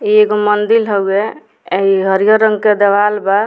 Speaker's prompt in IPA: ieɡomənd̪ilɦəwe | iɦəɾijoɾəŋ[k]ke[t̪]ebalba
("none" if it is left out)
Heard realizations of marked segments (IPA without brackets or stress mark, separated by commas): ɡ, d̪